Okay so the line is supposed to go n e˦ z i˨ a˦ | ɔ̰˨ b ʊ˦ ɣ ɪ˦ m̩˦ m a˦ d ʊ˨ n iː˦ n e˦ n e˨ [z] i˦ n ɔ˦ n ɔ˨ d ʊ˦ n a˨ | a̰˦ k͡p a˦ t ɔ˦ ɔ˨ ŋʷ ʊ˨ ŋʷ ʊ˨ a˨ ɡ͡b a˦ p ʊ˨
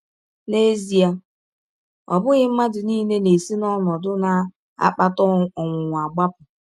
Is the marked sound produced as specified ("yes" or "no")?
no